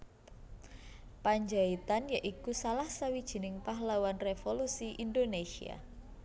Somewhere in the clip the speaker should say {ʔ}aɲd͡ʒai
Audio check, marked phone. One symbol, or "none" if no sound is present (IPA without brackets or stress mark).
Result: p